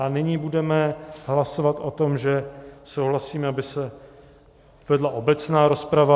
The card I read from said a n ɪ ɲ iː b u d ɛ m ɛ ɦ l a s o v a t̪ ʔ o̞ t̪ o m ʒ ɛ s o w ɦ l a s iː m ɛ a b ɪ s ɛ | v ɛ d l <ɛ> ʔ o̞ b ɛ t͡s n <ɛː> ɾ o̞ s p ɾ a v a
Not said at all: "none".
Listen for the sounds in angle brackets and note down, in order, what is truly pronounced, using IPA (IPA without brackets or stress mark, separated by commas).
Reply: a, aː